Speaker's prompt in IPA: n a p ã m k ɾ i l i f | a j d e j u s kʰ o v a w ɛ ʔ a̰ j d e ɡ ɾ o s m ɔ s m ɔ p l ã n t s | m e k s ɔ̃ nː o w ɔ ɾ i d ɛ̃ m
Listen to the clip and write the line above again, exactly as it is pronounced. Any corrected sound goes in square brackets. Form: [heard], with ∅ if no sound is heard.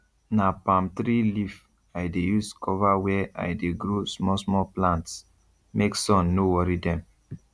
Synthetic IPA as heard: n a p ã m [t] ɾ i l i f | a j d e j u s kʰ [ɔ] v a w ɛ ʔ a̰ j d e ɡ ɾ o s m ɔ s m ɔ p l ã n t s | m e k s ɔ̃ nː o w ɔ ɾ i d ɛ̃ m